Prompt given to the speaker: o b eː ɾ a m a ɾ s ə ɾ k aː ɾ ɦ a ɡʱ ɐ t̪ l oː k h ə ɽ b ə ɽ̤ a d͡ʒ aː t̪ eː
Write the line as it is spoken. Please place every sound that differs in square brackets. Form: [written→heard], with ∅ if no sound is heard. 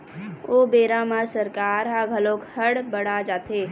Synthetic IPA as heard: o b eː ɾ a m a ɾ s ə ɾ k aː ɾ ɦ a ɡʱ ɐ [t̪→∅] l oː k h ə ɽ b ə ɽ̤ a d͡ʒ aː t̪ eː